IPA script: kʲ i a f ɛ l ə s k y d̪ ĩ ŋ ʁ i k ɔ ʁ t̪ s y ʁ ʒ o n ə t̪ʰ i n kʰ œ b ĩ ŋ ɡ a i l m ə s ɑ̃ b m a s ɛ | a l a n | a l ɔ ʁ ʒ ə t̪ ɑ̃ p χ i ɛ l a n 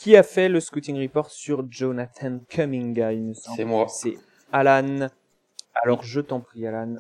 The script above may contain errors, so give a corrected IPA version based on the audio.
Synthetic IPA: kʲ i a f ɛ l ə s k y t̪ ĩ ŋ ʁ i p ɔ ʁ t̪ s y ʁ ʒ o n a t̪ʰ a n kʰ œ m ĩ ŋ ɡ a i l m ə s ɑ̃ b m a s ɛ | a l a n | a l ɔ ʁ ʒ ə t̪ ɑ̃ p χ i a l a n